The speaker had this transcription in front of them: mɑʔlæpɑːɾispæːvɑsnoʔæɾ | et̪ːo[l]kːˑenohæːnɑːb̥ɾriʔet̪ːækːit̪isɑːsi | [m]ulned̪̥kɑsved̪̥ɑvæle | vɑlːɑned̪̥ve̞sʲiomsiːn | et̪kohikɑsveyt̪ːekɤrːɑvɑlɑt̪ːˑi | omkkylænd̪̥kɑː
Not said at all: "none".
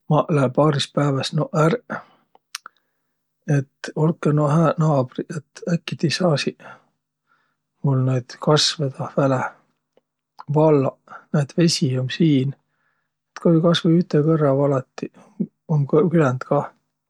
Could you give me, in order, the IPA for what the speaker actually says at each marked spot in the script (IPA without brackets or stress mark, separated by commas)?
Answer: l, m